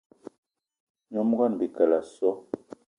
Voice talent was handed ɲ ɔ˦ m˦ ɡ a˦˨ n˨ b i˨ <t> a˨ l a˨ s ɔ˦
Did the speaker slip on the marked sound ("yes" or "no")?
yes